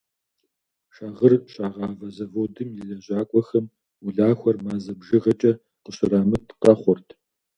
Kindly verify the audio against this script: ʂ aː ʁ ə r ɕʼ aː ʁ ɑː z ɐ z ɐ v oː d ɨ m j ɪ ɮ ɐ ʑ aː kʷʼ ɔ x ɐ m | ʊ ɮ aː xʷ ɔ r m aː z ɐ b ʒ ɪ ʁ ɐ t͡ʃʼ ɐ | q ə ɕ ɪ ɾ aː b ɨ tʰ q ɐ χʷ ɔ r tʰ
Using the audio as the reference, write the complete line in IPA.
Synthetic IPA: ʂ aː ʁ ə r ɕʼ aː ʁ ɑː v ɐ z ɐ v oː d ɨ m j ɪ ɮ ɐ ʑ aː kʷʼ ɔ x ɐ m | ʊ ɮ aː xʷ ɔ r m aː z ɐ b ʒ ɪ ʁ ɐ t͡ʃʼ ɐ | q ə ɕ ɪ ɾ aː m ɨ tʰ q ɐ χʷ ɔ r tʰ